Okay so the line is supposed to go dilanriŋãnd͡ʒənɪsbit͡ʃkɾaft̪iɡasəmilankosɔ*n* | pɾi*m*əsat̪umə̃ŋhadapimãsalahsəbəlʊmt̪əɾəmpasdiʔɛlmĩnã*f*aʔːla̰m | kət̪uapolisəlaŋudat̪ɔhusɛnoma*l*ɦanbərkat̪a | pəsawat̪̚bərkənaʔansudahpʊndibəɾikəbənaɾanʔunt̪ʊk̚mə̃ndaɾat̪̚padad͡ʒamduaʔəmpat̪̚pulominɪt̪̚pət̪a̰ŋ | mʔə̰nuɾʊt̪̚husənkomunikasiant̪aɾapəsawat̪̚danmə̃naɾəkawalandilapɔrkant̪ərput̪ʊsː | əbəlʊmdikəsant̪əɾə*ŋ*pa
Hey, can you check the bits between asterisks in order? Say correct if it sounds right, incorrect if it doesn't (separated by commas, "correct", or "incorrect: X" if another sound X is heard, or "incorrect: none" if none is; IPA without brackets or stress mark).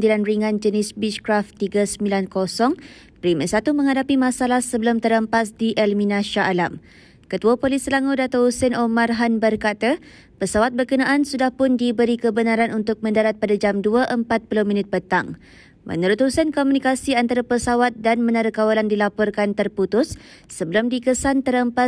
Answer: incorrect: ŋ, correct, incorrect: ʃ, incorrect: r, incorrect: m